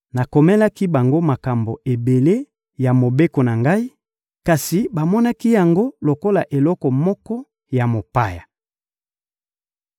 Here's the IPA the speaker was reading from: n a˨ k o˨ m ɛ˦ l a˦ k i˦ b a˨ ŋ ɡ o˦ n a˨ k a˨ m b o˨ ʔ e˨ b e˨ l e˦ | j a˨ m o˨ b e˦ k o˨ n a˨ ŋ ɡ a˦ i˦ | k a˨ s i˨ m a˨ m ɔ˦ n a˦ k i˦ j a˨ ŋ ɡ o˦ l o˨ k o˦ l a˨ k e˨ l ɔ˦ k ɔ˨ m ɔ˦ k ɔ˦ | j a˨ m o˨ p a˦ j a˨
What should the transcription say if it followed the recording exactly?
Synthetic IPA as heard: n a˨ k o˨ m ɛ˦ l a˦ k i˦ b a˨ ŋ ɡ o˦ m a˨ k a˨ m b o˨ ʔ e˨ b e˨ l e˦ | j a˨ m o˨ b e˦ k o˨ n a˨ ŋ ɡ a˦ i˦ | k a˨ s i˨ b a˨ m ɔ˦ n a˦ k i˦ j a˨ ŋ ɡ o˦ l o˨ k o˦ l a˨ ʔ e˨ l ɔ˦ k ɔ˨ m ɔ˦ k ɔ˦ | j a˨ m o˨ p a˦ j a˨

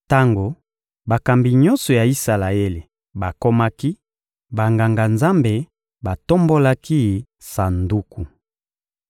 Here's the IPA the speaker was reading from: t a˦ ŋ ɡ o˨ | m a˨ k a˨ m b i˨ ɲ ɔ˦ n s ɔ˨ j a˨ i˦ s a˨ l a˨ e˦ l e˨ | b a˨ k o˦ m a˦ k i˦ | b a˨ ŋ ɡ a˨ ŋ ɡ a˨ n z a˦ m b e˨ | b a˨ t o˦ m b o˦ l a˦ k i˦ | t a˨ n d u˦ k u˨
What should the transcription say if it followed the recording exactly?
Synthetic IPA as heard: t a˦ ŋ ɡ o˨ | b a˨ k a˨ m b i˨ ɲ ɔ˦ n s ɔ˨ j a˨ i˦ s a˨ l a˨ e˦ l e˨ | b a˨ k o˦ m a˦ k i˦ | b a˨ ŋ ɡ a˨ ŋ ɡ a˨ n z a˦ m b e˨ | b a˨ t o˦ m b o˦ l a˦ k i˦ | s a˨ n d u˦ k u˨

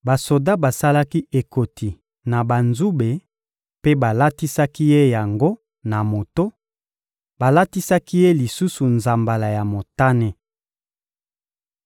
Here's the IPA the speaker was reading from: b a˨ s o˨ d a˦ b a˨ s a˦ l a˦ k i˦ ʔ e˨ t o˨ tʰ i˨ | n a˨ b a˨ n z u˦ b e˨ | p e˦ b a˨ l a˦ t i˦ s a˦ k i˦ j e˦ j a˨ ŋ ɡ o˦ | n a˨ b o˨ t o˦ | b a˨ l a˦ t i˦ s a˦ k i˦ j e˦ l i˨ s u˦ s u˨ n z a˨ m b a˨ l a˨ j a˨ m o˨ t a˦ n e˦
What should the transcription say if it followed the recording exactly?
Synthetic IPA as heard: b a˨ s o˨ d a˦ b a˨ s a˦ l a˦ k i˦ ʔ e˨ k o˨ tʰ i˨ | n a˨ b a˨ n z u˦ b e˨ | p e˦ b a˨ l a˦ t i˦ s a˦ k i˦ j e˦ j a˨ ŋ ɡ o˦ | n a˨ m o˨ t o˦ | b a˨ l a˦ t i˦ s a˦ k i˦ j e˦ l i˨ s u˦ s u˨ n z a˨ m b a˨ l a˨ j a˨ m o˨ t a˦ n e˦

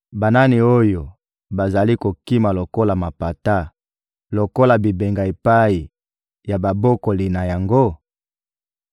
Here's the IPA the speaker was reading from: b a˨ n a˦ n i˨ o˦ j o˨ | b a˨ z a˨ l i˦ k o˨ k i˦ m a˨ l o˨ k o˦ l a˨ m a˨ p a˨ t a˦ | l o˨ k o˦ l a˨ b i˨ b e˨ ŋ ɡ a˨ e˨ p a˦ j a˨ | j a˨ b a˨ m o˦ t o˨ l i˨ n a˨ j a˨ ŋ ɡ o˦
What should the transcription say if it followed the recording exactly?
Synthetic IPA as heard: b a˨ n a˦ n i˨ o˦ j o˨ | b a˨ z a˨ l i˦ k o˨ k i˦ m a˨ l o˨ k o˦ l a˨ m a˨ p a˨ t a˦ | l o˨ k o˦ l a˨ b i˨ b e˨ ŋ ɡ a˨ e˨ p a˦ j i˨ | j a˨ b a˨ b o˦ k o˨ l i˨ n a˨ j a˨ ŋ ɡ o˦

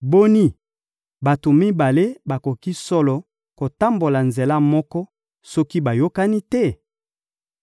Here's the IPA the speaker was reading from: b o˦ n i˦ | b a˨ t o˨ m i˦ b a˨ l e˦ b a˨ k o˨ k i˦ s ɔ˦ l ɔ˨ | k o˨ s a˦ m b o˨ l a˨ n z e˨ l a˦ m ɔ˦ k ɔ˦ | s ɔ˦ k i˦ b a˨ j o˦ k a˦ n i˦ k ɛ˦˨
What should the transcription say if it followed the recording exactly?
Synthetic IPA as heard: b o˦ n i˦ | b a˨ t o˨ m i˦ b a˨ l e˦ b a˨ k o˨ k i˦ s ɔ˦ l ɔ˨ | k o˨ t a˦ m b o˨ l a˨ n z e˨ l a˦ m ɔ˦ k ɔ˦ | s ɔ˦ k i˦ b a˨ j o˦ k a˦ n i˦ t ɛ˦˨

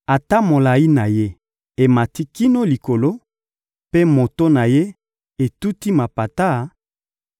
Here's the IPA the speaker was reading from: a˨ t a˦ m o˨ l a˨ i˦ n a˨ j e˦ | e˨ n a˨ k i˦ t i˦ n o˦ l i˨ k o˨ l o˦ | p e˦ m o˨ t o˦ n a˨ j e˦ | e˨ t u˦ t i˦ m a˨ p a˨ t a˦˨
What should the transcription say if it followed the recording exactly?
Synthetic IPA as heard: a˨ t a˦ m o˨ l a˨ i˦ n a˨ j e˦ | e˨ m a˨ t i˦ k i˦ n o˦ l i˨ k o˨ l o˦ | p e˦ m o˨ t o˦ n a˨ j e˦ | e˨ t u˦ t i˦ m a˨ p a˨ t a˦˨

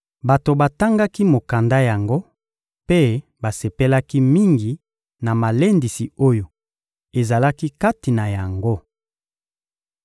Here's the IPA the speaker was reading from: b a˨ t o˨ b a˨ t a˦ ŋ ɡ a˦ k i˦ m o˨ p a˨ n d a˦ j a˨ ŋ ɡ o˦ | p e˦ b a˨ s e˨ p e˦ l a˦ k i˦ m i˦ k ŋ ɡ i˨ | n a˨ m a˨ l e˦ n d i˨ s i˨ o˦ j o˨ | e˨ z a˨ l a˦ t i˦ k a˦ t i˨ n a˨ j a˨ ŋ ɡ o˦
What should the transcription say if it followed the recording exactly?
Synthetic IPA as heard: b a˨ t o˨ b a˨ t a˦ ŋ ɡ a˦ k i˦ m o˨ k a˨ n d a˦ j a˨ ŋ ɡ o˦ | p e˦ b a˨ s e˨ p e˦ l a˦ k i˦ m i˦ ŋ ɡ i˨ | n a˨ m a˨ l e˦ n d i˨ s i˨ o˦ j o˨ | e˨ z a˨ l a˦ k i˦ k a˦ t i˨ n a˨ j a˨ ŋ ɡ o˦

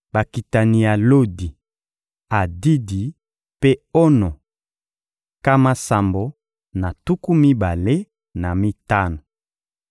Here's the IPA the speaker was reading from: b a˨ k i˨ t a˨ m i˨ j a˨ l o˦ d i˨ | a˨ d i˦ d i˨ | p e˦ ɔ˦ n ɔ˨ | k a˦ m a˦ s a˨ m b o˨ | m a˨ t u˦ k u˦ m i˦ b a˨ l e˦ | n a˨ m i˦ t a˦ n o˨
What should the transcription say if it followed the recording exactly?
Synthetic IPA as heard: b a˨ k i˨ t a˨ n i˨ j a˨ l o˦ d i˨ | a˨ d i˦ d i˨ | p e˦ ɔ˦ n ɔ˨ | k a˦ m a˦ s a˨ m b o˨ | n a˨ t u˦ k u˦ m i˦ b a˨ l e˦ | n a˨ m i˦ t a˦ n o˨

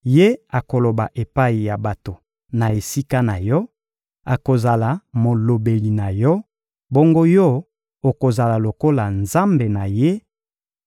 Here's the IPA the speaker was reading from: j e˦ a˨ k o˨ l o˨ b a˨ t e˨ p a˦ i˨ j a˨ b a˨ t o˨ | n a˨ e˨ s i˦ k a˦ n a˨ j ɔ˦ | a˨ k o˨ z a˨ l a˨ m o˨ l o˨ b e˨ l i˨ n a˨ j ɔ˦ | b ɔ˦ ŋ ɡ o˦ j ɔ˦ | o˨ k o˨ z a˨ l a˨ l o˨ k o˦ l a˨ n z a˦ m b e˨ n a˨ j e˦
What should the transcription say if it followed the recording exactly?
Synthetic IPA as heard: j e˦ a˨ k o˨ l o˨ b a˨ ʔ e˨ p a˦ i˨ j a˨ b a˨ t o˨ | n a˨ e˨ s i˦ k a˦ n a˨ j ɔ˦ | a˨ k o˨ z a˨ l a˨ m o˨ l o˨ b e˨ l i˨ n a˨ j ɔ˦ | b o˦ ŋ ɡ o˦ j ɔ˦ | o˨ k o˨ z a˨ l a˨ l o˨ k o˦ l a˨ n z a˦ m b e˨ n a˨ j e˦

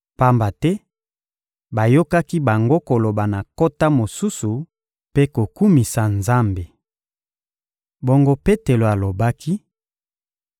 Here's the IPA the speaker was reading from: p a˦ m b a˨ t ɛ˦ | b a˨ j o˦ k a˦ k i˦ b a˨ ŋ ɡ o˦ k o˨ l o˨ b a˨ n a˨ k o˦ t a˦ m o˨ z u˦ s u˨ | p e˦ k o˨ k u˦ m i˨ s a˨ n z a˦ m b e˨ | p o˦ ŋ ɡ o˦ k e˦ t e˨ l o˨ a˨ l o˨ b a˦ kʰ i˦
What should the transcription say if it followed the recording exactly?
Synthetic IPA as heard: p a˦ m b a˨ t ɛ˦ | b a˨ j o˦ k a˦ k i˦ b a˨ ŋ ɡ o˦ k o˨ l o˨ b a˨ n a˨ k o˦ t a˦ m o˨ s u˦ s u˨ | p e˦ k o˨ k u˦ m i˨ s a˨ n z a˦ m b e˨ | b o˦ ŋ ɡ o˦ p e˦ t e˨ l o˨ a˨ l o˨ b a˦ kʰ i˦

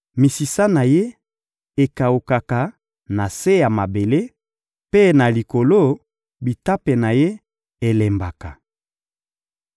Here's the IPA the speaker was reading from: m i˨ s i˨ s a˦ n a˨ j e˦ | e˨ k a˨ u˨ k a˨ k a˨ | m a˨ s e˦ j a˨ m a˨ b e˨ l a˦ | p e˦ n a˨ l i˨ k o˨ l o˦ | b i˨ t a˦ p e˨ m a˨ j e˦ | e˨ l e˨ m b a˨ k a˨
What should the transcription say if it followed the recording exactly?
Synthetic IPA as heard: m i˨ s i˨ s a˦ n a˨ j e˦ | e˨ k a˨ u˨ k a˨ k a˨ | n a˨ s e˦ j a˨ m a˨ b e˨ l e˦ | p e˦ n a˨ l i˨ k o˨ l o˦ | b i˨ t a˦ p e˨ n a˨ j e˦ | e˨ l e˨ m b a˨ k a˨

